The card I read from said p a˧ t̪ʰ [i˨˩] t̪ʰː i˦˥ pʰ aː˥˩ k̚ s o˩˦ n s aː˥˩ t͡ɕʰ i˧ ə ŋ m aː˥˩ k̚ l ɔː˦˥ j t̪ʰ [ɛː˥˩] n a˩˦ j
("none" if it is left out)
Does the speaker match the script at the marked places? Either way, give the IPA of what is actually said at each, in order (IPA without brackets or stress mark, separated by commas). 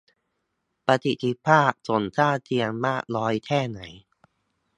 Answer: i˨˩, ɛː˥˩